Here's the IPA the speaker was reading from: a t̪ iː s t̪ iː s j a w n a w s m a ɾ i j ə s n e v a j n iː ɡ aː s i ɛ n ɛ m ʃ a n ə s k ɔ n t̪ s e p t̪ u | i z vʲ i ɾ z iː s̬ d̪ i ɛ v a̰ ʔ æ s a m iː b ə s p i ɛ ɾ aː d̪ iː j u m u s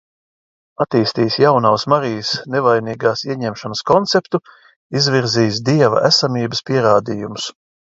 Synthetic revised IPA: a t̪ iː s t̪ iː s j a w n a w s m a ɾ i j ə s n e v a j n iː ɡ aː s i ɛ ɲ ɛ m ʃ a n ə s k ɔ n t̪ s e p t̪ u | i z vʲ i ɾ z iː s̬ d̪ i ɛ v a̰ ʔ æ s a m iː b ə s p i ɛ ɾ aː d̪ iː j u m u s

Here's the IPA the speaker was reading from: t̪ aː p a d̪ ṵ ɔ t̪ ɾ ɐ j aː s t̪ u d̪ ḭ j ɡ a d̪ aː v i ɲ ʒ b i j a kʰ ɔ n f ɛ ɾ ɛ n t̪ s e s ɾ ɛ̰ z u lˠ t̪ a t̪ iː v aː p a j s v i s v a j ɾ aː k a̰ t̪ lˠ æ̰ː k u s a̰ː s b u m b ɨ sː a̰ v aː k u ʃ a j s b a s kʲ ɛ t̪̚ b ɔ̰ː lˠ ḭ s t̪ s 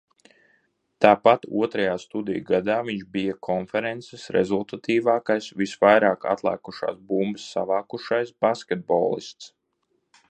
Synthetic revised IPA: t̪ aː p a t̪ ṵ ɔ t̪ ɾ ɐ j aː s t̪ u d̪ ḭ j ɡ a d̪ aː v i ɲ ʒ b i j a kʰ ɔ n f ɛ ɾ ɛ n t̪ s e s ɾ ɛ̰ z u lˠ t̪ a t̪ iː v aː k a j s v i s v a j ɾ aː k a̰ t̪ lˠ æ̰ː k u ʃ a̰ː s b u m b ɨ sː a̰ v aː k u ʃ a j s b a s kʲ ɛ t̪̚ b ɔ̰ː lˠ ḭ s t̪ s

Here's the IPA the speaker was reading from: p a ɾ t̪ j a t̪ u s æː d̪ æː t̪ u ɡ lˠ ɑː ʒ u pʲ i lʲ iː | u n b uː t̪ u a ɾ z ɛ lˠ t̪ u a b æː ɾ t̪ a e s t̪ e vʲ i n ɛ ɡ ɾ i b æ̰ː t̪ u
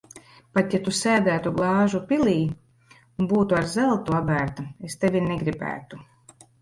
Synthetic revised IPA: p a t̪ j a t̪ u s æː d̪ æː t̪ u ɡ lˠ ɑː ʒ u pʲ i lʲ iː | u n b uː t̪ u a ɾ z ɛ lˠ t̪ u a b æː ɾ t̪ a e s t̪ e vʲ i n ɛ ɡ ɾ i b æ̰ː t̪ u

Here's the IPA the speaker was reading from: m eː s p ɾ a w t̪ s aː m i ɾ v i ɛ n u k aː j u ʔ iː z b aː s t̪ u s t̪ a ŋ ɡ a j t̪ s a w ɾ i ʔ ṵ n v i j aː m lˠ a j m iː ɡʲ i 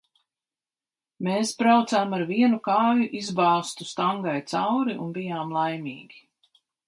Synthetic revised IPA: m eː s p ɾ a w t̪ s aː m a ɾ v i ɛ n u k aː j u ʔ i z b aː s t̪ u s t̪ a ŋ ɡ a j t̪ s a w ɾ i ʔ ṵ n b i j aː m lˠ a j m iː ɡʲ i

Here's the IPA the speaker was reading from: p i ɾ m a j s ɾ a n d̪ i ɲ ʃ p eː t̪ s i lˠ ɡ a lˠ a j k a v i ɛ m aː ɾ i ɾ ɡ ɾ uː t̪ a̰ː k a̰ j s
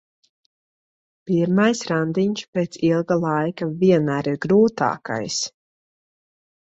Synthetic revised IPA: p i ɾ m a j s ɾ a n d̪ i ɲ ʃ p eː t̪ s i lˠ ɡ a lˠ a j k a v i ɛ n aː ɾ i ɾ ɡ ɾ uː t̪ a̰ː k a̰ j s

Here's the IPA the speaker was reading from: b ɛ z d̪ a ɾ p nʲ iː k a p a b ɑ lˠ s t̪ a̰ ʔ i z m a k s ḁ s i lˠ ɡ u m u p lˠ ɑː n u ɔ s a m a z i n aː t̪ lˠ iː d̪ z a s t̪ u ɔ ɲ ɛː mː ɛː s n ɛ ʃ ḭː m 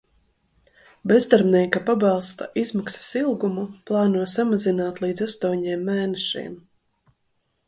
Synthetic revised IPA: b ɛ z d̪ a ɾ b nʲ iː k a p a b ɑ lˠ s t̪ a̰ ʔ i z m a k s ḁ s i lˠ ɡ u m u p lˠ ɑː n u ɔ s a m a z i n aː t̪ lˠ iː d̪ z a s t̪ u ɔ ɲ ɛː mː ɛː n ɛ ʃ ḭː m

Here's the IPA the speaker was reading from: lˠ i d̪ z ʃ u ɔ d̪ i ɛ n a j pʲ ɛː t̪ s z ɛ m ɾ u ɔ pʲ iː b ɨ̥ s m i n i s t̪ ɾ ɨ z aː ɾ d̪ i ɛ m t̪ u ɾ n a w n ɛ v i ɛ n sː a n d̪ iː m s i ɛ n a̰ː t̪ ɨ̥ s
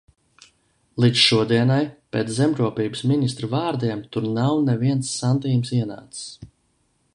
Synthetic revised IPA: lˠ i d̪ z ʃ u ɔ d̪ i ɛ n a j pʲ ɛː t̪ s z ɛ m ɾ u ɔ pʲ iː b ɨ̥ s m i n i s t̪ ɾ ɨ v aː ɾ d̪ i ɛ m t̪ u ɾ n a w n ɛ v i ɛ n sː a n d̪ iː m s i ɛ n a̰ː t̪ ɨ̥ s

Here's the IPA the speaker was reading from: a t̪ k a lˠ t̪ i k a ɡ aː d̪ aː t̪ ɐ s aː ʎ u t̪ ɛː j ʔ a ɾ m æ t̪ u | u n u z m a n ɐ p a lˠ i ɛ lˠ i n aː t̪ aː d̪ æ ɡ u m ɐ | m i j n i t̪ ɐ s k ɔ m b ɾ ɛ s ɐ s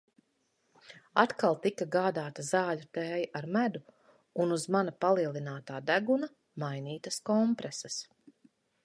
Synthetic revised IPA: a t̪ k a lˠ t̪ i k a ɡ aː d̪ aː t̪ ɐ z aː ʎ u t̪ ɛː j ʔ a ɾ m æ d̪ u | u n u z m a n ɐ p a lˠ i ɛ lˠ i n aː t̪ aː d̪ æ ɡ u n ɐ | m a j n iː t̪ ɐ s k ɔ m p ɾ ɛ s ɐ s

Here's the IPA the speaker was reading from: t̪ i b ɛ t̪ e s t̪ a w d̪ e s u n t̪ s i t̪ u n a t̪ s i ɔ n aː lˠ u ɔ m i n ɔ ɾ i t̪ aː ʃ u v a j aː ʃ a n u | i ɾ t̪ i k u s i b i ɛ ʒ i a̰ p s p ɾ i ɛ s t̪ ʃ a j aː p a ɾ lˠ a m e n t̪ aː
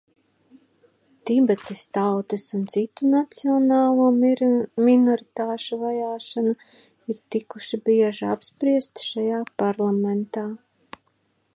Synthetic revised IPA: t̪ i b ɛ t̪ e s t̪ a w t̪ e s u n t̪ s i t̪ u n a t̪ s i ɔ n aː lˠ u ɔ m i n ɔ ɾ i t̪ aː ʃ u v a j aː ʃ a n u | i ɾ t̪ i k u ʃ i b i ɛ ʒ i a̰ p s p ɾ i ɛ s t̪ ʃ a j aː p a ɾ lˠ a m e n t̪ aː

